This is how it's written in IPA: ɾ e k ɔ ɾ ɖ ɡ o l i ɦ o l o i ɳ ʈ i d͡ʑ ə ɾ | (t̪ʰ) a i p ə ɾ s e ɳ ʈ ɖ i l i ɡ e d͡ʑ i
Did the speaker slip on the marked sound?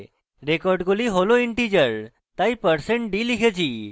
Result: yes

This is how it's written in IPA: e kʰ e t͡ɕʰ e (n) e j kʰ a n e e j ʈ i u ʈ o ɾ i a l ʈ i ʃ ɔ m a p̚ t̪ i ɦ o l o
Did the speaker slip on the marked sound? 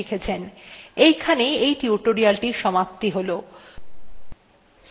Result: no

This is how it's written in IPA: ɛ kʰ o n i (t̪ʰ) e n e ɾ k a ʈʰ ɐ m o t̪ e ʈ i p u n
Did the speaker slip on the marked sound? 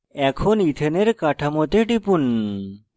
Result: no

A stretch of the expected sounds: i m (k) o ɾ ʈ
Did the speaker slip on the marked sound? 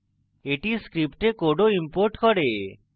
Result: yes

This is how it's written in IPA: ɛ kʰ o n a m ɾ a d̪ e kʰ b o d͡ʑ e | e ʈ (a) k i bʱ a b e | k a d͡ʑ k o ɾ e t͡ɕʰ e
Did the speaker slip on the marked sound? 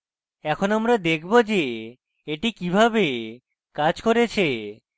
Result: yes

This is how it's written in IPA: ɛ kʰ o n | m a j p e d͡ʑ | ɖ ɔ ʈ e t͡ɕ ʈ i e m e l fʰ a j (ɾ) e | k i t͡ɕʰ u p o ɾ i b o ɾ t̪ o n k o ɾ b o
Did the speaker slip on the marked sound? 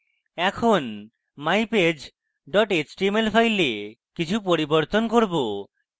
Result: yes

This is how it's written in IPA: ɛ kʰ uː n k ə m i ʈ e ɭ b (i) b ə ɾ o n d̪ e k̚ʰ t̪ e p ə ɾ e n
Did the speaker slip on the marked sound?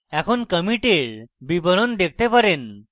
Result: no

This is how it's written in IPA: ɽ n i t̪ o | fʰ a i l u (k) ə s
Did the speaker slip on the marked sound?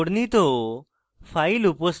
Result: yes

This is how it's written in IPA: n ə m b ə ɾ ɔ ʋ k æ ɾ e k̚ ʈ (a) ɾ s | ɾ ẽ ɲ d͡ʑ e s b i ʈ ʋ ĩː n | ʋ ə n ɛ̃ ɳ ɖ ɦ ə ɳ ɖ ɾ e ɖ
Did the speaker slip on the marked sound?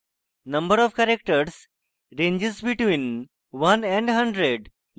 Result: yes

